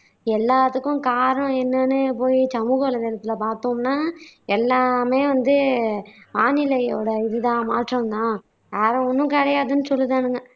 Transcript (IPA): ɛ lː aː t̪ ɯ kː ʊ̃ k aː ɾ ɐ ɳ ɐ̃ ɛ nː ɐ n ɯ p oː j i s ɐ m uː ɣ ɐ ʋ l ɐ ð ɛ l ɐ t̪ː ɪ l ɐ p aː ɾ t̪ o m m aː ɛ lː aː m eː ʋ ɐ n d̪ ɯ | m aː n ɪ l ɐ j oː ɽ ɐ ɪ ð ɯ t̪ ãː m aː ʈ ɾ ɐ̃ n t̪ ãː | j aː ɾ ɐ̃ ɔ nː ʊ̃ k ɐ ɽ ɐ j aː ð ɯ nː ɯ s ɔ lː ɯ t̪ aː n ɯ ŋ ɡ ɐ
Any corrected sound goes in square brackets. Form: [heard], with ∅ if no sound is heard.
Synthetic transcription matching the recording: ɛ lː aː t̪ ɯ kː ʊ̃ k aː ɾ ɐ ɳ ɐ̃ ɛ nː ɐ n ɯ p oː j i s ɐ m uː ɣ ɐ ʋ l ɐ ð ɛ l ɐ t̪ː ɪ l ɐ p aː ɾ t̪ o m [n] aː ɛ lː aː m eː ʋ ɐ n d̪ ɯ | m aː n ɪ l ɐ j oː ɽ ɐ ɪ ð ɯ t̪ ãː m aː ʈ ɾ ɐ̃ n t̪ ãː | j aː ɾ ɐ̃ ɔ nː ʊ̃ k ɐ ɽ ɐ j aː ð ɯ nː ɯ s ɔ lː ɯ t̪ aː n ɯ ŋ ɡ ɐ